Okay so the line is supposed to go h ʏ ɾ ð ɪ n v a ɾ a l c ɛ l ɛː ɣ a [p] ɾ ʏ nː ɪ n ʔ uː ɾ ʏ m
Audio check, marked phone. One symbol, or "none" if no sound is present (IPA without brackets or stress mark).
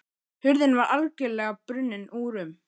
p